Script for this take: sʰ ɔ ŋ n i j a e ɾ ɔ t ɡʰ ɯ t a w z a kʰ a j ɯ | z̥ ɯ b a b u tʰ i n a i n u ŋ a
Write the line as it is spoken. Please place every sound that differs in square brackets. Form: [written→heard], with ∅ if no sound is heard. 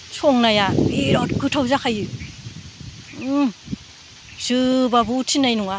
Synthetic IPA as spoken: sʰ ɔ ŋ n [i→a] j a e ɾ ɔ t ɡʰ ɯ [t→tʰ] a w z a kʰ a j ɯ | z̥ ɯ b a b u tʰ i n a [i→j] n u ŋ a